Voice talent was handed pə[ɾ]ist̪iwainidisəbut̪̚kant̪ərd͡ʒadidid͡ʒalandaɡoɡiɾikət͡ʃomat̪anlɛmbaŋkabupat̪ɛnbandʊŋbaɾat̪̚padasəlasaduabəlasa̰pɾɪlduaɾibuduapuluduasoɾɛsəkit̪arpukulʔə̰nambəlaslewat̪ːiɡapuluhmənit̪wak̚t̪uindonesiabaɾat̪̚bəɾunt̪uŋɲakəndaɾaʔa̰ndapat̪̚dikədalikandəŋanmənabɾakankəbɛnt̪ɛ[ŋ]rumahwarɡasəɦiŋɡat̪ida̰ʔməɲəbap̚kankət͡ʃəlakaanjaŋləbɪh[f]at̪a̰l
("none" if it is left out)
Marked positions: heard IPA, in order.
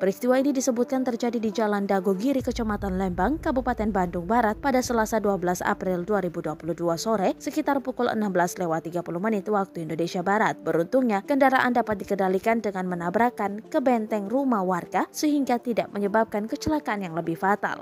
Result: ɾ, ŋ, f

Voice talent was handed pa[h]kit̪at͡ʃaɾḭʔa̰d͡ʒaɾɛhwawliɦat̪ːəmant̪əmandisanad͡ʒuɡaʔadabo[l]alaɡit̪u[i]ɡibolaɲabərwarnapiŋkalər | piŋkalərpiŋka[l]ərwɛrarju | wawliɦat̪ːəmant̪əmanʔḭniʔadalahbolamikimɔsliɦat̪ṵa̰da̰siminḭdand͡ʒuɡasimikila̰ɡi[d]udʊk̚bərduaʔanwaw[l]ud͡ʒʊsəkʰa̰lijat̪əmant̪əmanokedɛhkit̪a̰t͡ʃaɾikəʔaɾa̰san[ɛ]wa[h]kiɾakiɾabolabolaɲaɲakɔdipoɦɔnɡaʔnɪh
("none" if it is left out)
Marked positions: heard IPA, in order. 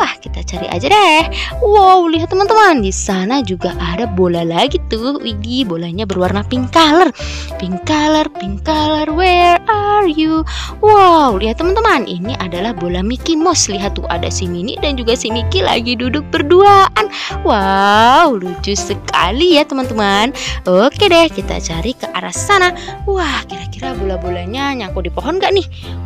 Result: h, l, i, l, d, l, a, h

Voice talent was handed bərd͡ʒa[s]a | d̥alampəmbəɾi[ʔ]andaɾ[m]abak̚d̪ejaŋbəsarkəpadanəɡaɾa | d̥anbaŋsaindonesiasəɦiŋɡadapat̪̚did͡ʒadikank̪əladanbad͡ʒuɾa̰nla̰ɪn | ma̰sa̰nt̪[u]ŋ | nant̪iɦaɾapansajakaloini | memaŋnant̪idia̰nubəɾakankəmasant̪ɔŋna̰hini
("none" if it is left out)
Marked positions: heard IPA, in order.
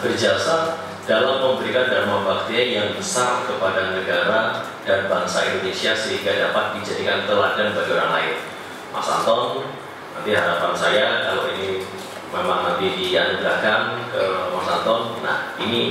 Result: s, k, m, ɔ

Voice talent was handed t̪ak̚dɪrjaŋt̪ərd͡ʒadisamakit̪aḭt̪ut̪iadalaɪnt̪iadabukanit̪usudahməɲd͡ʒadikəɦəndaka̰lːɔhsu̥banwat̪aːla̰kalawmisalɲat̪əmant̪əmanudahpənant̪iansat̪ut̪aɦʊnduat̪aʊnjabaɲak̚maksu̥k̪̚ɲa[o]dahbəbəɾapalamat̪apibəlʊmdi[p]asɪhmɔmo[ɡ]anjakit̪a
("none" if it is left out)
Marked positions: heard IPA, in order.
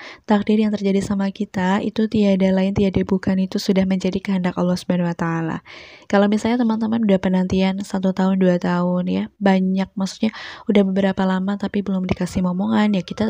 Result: u, k, ŋ

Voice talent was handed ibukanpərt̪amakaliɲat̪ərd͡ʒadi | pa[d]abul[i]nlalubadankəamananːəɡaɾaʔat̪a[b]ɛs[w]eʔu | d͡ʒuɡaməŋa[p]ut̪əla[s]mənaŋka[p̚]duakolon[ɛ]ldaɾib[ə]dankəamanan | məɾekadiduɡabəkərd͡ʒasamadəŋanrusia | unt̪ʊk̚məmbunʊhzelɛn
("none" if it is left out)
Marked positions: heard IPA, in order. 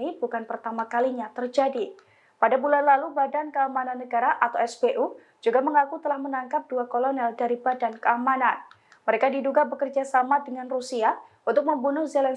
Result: d, a, w, b, k, h, p̚, ɛ, a

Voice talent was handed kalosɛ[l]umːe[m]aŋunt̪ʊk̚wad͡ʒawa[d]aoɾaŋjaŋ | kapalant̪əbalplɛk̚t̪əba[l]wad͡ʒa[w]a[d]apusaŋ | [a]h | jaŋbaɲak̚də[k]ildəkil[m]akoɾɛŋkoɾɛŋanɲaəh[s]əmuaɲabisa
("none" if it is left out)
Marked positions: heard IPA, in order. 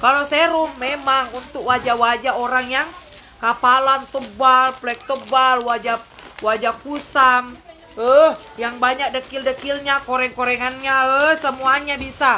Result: ɾ, m, d͡ʒ, l, w, d͡ʒ, ə, k, ɲ, s

